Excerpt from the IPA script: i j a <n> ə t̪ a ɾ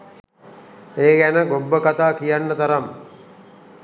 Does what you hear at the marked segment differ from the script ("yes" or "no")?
yes